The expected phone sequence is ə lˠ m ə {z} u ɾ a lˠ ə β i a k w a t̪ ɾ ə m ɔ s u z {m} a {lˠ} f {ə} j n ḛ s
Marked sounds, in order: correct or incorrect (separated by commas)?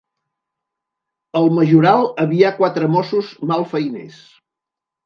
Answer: incorrect, correct, correct, correct